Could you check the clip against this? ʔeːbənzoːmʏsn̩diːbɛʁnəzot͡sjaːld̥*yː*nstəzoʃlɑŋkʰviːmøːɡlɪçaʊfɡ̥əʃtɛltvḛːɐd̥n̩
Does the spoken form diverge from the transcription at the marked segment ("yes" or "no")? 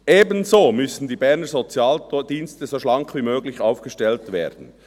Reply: yes